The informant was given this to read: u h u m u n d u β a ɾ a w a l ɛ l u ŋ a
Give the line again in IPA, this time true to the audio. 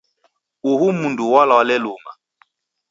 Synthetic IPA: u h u m u n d u w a l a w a l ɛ l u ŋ a